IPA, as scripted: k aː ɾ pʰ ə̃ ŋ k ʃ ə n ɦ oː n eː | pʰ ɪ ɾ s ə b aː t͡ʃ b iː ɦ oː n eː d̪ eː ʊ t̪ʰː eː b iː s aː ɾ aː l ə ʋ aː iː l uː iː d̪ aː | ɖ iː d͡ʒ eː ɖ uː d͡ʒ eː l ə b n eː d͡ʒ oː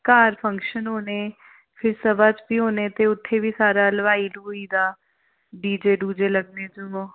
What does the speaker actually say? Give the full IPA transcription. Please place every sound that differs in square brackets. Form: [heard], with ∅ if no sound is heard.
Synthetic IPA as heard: k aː ɾ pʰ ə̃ ŋ k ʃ ə n ɦ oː n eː | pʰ ɪ ɾ s ə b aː t͡ʃ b iː ɦ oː n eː [t̪] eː ʊ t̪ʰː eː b iː s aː ɾ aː l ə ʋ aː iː l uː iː d̪ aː | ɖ iː d͡ʒ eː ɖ uː d͡ʒ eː l ə [ɡ] n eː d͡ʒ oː